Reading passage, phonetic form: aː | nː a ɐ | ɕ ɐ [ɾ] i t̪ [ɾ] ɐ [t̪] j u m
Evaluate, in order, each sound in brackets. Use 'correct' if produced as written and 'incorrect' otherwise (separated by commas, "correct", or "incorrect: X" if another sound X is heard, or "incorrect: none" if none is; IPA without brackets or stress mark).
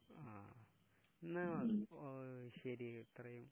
correct, incorrect: r, incorrect: none